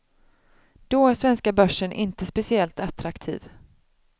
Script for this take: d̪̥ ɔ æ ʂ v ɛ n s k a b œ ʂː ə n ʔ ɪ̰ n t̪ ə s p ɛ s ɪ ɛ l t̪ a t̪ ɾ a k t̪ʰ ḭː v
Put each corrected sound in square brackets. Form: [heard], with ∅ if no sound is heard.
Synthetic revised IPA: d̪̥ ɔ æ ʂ v ɛ n s k a b œ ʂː ə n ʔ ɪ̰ n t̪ ə s p ɛ s ɪ ɛ l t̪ a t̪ ɾ a k t̪ʰ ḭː v